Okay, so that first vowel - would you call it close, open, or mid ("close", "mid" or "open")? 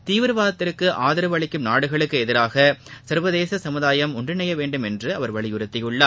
close